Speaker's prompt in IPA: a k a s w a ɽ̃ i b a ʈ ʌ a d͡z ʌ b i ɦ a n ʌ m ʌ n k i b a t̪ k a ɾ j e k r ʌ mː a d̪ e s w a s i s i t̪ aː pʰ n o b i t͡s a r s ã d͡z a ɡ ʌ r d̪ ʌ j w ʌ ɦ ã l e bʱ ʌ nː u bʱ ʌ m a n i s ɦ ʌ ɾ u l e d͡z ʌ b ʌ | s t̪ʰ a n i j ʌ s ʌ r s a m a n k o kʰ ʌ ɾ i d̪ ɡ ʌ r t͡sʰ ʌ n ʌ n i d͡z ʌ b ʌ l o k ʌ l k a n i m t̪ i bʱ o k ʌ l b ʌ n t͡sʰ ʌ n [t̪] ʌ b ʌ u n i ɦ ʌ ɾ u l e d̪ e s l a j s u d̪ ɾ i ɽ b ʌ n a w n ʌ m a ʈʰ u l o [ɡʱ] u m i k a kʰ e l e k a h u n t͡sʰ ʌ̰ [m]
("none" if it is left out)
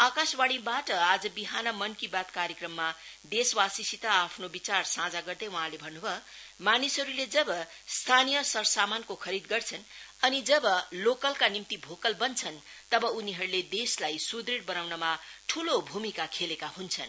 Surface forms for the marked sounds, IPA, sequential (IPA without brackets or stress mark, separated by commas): t̪, bʱ, n